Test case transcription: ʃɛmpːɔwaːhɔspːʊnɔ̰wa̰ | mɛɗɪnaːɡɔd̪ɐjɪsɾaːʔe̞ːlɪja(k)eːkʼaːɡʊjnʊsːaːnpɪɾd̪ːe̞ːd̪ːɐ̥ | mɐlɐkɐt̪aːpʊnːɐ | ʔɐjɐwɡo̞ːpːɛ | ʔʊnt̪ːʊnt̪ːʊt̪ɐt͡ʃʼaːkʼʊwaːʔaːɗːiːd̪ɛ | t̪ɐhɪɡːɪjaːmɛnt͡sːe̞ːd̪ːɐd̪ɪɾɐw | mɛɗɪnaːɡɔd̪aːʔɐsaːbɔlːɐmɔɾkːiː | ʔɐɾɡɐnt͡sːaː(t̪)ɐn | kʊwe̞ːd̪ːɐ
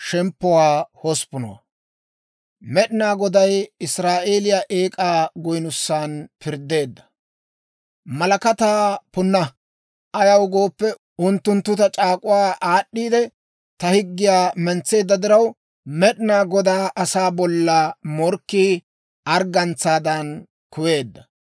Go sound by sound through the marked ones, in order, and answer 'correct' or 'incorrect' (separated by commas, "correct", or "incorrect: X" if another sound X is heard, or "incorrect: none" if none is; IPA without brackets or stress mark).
incorrect: ʔ, incorrect: d̪